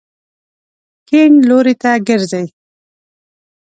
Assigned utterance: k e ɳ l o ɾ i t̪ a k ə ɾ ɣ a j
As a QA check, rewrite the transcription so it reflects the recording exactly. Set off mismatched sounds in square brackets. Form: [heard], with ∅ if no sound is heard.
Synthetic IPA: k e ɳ l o ɾ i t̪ a [ɡ] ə ɾ [z] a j